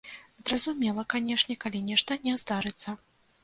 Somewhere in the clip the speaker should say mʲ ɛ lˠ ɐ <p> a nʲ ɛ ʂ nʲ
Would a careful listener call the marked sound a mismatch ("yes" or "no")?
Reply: yes